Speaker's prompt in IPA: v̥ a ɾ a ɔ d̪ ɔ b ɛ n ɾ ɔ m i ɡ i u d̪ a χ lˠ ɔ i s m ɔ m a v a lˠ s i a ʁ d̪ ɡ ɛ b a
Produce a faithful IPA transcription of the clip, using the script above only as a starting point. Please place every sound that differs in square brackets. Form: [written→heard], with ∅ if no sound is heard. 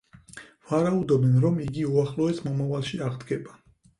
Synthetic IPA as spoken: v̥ a ɾ a [ɔ→u] d̪ ɔ b ɛ n ɾ ɔ m i ɡ i u [d̪→∅] a χ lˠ ɔ [i→ɛ] s m ɔ m a v a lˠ [s→ʃ] i a ʁ d̪ ɡ ɛ b a